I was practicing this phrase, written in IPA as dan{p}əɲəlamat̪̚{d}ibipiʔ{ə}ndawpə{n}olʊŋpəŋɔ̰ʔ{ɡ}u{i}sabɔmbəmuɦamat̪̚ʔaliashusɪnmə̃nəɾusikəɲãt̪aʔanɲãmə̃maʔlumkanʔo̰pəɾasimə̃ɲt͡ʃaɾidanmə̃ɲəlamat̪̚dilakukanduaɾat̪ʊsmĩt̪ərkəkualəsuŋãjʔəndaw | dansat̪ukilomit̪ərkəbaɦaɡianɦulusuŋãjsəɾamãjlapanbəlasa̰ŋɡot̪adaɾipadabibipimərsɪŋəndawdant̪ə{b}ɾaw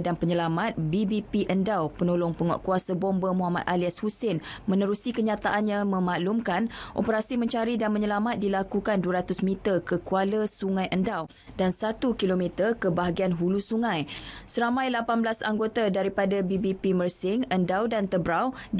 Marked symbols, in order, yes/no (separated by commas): yes, no, yes, yes, no, no, yes